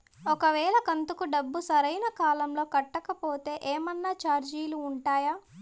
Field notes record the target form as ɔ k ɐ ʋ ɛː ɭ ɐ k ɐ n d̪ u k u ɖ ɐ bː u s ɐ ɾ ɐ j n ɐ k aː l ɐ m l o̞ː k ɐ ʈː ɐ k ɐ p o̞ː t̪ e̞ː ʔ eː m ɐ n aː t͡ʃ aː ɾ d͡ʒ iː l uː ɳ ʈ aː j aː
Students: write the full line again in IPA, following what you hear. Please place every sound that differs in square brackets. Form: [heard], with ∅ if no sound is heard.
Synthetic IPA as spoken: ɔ k ɐ ʋ ɛː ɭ ɐ k ɐ n [t̪] u k u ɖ ɐ bː u s ɐ ɾ ɐ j n ɐ k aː l ɐ m l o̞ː k ɐ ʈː ɐ k ɐ p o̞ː t̪ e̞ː ʔ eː m ɐ [nː] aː t͡ʃ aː ɾ d͡ʒ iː l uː ɳ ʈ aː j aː